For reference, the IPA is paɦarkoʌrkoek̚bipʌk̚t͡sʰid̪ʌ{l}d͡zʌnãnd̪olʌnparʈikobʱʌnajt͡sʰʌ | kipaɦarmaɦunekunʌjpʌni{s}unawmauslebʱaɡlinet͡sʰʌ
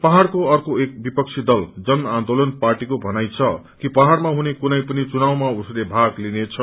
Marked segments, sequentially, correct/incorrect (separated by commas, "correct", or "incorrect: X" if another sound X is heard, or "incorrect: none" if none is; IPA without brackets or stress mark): correct, incorrect: t͡s